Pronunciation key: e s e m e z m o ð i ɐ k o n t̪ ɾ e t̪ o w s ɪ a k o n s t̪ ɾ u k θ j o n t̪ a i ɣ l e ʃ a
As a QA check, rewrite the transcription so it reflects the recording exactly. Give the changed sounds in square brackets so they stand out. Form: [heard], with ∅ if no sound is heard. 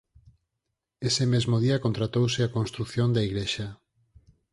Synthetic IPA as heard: e s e m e z m o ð i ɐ k o n t̪ ɾ [a] t̪ o w s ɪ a k o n s t̪ ɾ u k θ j o n [d̪] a i ɣ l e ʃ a